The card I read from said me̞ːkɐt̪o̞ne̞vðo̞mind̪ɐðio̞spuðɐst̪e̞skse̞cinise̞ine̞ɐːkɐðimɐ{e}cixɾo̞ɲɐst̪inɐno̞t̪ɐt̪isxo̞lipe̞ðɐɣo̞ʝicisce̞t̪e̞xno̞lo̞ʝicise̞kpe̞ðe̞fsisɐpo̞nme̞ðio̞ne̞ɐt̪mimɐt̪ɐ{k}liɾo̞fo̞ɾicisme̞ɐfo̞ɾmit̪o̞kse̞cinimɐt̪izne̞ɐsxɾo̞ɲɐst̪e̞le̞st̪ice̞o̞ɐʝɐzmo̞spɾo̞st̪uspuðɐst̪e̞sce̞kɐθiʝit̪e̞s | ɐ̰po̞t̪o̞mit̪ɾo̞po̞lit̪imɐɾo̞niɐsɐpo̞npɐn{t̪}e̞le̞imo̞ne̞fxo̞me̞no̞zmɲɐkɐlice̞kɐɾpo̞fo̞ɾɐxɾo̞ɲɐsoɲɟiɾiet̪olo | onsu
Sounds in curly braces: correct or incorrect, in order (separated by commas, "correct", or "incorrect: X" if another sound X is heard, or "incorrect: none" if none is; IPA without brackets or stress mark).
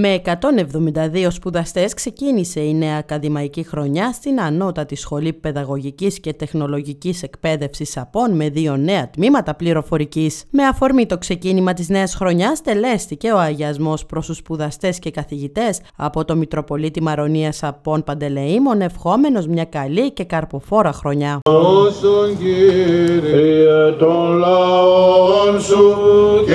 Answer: incorrect: i, incorrect: p, incorrect: d̪